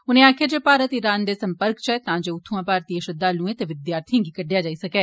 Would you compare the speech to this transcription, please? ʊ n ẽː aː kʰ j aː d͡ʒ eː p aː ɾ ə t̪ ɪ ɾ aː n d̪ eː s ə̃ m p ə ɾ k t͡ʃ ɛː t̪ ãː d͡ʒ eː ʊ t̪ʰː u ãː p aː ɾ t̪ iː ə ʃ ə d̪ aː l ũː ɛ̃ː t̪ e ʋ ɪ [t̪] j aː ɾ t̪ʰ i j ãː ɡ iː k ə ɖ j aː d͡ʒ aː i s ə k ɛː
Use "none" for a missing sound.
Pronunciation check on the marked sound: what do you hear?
d̪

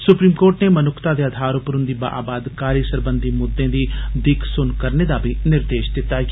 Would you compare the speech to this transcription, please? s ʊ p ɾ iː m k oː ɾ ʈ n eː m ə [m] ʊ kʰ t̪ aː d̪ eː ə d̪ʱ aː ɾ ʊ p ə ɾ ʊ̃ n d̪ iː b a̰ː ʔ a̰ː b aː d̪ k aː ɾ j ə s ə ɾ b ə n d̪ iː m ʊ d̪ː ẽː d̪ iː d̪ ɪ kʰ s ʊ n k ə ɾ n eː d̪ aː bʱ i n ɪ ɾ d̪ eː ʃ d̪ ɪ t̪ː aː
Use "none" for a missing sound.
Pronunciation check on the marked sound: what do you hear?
n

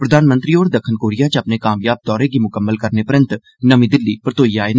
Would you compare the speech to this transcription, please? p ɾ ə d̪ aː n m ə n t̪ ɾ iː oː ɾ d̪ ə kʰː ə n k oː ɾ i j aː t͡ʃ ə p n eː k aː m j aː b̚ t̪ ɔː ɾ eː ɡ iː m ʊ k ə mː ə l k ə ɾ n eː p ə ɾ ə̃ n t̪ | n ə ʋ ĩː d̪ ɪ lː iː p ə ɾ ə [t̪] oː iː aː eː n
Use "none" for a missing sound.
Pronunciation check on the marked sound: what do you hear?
t̪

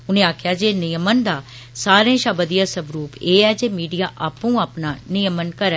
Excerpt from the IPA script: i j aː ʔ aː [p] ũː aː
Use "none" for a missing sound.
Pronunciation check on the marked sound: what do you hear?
p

